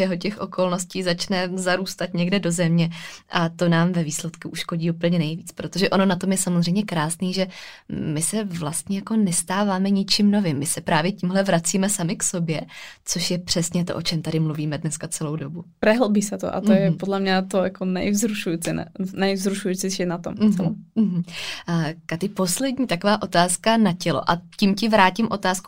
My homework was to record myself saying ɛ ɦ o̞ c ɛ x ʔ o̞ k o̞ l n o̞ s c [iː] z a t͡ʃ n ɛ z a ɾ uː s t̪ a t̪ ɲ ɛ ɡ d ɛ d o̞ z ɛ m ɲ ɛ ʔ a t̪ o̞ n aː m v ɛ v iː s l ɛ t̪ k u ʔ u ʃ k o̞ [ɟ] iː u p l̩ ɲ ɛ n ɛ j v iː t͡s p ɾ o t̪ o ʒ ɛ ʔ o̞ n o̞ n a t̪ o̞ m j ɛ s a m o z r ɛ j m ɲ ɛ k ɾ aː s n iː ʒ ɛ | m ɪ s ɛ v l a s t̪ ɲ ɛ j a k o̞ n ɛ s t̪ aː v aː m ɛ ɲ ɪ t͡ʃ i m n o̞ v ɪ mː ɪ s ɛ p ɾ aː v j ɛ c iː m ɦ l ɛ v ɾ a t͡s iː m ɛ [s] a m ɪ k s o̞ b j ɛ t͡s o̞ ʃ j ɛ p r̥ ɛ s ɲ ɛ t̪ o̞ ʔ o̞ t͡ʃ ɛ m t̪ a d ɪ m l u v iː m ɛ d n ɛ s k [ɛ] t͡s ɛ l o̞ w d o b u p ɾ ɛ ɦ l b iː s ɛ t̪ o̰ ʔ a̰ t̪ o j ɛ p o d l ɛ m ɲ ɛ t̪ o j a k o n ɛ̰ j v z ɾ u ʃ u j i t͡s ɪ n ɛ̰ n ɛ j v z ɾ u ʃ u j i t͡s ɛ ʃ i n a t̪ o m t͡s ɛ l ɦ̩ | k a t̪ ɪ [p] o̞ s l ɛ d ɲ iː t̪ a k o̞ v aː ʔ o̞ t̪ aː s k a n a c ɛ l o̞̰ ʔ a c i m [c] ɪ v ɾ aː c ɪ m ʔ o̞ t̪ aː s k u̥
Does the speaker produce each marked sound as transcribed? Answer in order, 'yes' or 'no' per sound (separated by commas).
yes, yes, yes, no, yes, yes